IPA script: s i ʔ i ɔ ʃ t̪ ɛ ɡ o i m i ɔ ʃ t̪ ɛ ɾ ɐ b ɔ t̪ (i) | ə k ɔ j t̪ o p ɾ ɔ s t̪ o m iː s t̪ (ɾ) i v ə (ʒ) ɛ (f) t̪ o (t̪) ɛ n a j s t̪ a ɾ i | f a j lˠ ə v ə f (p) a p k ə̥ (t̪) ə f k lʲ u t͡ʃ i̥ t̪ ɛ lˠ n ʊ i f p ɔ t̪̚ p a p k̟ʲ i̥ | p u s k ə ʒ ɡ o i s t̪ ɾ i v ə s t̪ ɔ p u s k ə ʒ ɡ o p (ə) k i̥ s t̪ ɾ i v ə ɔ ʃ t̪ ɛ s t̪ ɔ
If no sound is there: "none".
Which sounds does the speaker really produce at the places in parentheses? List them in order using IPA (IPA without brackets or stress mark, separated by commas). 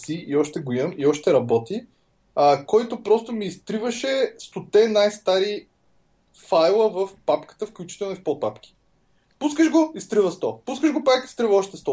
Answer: i, ɾ, ʃ, s, t̪, p, t̪, a